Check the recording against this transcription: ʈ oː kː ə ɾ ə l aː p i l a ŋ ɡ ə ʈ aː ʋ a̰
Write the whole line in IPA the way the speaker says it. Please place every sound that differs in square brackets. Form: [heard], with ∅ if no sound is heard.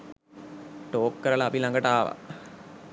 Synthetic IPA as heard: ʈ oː kː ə ɾ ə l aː p i l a ŋ ɡ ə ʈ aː ʋ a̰